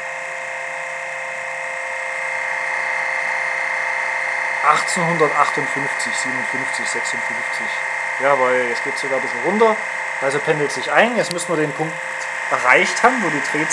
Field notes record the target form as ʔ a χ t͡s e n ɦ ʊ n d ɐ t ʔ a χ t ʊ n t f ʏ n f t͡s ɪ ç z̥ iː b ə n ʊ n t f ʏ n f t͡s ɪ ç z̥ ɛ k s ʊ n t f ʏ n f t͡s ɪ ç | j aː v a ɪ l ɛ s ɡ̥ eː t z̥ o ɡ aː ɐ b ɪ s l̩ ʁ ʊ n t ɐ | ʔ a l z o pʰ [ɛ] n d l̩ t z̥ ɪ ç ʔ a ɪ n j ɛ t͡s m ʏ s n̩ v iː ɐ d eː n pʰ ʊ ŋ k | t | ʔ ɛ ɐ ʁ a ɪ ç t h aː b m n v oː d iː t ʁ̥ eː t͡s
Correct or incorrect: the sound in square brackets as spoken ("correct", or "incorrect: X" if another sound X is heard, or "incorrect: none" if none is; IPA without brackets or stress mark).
correct